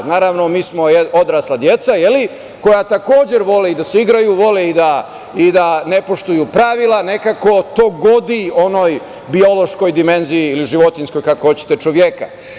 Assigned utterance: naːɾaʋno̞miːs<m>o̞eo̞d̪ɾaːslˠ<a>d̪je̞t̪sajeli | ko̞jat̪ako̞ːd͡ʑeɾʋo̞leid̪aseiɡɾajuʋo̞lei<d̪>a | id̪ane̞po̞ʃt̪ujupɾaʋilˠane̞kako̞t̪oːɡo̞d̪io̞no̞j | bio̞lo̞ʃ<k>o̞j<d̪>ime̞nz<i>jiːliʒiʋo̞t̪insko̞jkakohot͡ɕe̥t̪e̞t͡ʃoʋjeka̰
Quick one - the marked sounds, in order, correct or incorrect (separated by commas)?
correct, correct, correct, correct, correct, correct